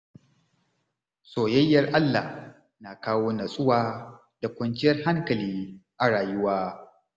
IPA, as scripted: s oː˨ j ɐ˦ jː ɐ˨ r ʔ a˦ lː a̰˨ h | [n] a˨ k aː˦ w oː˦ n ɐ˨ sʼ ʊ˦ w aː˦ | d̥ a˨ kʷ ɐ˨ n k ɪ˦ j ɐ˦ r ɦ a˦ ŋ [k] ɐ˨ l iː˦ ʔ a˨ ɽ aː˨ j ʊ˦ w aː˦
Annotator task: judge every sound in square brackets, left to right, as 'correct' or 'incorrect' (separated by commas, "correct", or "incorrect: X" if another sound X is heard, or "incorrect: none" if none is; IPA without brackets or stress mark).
correct, correct